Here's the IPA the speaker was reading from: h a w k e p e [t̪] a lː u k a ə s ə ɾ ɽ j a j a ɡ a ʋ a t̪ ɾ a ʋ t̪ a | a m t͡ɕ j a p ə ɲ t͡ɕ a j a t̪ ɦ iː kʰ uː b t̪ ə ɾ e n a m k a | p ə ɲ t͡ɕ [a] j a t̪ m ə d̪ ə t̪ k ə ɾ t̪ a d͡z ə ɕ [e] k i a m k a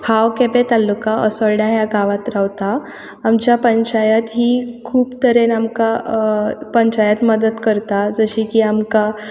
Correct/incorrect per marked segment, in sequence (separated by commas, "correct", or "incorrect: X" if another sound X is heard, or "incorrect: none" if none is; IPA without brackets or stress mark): correct, correct, incorrect: i